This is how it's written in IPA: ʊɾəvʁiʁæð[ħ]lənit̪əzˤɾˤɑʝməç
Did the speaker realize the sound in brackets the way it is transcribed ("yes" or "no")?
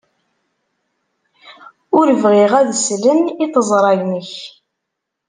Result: no